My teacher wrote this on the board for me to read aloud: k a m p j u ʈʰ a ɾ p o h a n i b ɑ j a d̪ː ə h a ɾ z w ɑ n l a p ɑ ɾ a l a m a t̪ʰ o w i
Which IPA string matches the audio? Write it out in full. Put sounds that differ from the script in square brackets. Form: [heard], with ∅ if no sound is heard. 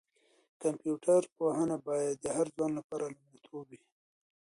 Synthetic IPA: k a m p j u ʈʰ a ɾ p o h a n [a] b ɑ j a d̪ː ə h a ɾ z w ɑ n l a p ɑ ɾ a l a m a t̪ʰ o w i

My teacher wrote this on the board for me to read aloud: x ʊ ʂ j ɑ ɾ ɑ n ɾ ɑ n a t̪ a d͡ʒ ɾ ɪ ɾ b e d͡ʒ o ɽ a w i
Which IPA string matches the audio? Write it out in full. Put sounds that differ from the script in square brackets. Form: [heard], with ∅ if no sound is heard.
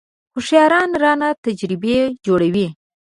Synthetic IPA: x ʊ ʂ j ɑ ɾ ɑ n ɾ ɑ n a t̪ a d͡ʒ ɾ ɪ [∅] b e d͡ʒ o ɽ a w i

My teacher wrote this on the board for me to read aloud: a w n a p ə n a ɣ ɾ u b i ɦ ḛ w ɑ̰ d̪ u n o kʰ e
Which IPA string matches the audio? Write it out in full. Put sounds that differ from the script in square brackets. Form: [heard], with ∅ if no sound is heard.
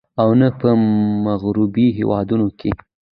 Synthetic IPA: a w n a p ə [m] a ɣ ɾ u b i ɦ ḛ w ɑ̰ d̪ u n o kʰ e

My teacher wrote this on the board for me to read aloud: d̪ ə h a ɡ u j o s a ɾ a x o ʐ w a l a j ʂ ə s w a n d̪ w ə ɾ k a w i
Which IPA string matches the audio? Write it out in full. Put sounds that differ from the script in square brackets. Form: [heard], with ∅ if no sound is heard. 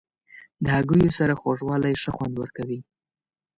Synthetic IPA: d̪ ə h a ɡ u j o s a ɾ a x o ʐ w [ɑ] l a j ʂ ə [x] w a n d̪ w ə ɾ k a w i

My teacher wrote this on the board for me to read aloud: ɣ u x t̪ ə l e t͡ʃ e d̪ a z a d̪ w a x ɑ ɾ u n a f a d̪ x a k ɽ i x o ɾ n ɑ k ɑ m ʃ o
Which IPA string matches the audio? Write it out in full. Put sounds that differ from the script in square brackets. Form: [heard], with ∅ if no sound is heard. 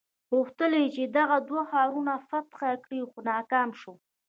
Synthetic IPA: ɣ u x t̪ ə l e t͡ʃ e d̪ a [ɣ] a d̪ w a x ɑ ɾ u n a f a [t̪] x a k ɽ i x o [∅] n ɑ k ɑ m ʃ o

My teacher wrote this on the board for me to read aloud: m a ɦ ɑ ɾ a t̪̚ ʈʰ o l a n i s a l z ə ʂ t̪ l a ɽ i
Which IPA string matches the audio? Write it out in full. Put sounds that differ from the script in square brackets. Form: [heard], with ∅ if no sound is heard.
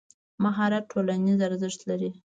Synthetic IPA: m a ɦ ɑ ɾ a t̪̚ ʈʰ o l a n i [z] a [ɾ] z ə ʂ t̪ l a [ɾ] i

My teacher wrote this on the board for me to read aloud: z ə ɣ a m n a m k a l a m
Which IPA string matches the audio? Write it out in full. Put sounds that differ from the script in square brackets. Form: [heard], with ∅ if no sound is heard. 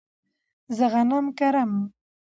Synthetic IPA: z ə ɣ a [∅] n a m k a [ɾ] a m

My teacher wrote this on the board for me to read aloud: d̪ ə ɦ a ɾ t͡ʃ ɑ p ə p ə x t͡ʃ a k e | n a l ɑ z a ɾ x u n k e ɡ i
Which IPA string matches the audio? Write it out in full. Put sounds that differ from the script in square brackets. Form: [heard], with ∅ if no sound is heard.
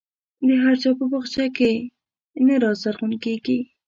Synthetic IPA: d̪ ə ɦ a ɾ t͡ʃ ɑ p ə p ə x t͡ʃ a k e | n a [ɾ] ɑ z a ɾ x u n k e ɡ i

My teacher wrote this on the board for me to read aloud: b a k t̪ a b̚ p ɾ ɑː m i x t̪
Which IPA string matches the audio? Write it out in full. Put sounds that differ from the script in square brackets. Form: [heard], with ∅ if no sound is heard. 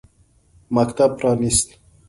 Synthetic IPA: [m] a k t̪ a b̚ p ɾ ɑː [n] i [s] t̪

